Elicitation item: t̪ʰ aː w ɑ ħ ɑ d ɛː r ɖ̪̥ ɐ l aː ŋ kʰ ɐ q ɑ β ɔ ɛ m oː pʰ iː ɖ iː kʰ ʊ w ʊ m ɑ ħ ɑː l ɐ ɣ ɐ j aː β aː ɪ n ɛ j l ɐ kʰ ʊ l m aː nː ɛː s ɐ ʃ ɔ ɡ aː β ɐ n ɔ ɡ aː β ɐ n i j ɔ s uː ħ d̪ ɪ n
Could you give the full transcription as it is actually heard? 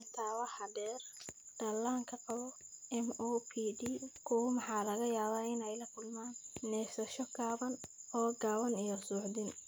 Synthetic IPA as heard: t̪ʰ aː w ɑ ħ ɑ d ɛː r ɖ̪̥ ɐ l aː ŋ kʰ ɐ q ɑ β ɔ ɛ m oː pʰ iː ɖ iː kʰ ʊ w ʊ m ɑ ħ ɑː l ɐ ɣ ɐ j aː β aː ɪ n ɛ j l ɐ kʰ ʊ l m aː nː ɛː s ɐ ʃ ɔ ɡ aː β ɐ n ɔː ɡ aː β ɐ n i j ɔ s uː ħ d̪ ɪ n